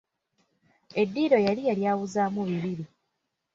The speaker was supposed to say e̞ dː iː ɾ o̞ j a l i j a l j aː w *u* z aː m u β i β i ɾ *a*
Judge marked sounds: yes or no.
yes, no

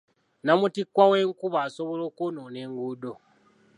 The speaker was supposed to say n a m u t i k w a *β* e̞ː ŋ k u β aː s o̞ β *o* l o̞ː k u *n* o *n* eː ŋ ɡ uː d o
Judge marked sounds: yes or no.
no, yes, yes, yes

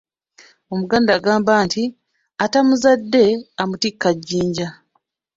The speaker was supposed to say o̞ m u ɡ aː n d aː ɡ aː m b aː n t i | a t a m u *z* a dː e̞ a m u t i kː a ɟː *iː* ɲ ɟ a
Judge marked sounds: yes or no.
yes, yes

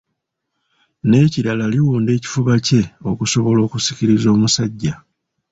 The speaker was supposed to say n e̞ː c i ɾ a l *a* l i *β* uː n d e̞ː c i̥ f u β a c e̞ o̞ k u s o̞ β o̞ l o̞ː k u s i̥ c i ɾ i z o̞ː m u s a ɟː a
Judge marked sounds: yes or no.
yes, no

